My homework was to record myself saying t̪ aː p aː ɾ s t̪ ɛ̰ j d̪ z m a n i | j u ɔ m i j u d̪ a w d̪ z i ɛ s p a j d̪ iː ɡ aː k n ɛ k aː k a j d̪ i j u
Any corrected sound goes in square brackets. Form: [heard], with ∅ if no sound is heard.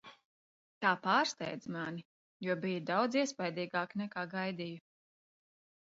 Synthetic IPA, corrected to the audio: t̪ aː p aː ɾ s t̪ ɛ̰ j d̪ z m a n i | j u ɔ [b] i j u d̪ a w d̪ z i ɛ s p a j d̪ iː ɡ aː k n ɛ k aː [ɡ] a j d̪ i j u